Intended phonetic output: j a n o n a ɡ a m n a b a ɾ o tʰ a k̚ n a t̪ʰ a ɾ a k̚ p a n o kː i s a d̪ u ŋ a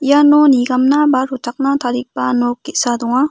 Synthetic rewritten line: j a n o n i ɡ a m n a b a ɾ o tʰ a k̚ n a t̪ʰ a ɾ i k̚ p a n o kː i s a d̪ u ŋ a